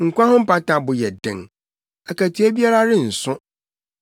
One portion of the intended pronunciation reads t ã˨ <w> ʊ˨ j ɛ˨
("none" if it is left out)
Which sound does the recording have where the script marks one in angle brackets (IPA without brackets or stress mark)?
b